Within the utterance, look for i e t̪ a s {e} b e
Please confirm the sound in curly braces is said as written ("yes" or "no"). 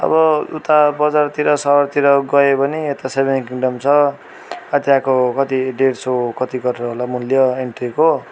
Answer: yes